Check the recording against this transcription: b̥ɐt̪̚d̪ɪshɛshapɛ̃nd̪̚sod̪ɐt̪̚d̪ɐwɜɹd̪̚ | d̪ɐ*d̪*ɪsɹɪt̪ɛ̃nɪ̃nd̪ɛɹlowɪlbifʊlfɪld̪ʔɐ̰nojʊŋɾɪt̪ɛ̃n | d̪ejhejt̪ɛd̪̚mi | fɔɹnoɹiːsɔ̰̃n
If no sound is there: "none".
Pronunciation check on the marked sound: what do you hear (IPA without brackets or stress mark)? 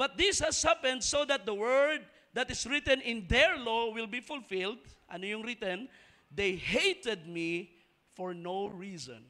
t̪